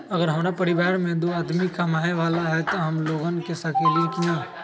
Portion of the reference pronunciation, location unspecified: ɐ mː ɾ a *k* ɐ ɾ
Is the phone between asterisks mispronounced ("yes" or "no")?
yes